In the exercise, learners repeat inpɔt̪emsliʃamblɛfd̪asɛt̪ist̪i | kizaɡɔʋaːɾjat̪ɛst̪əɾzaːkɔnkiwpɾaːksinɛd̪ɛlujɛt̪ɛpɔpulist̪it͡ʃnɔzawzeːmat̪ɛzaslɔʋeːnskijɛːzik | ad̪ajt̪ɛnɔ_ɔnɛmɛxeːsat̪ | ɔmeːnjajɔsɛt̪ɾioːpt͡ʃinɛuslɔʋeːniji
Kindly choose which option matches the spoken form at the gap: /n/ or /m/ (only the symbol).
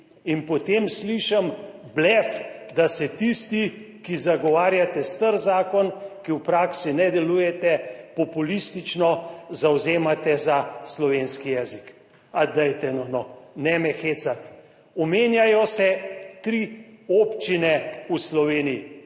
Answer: n